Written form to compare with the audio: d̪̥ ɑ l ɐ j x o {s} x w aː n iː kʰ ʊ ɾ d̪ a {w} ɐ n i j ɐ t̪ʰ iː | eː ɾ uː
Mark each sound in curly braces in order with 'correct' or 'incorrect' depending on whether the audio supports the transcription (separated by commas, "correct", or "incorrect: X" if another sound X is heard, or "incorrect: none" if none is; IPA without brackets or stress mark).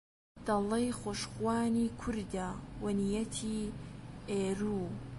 incorrect: ʃ, correct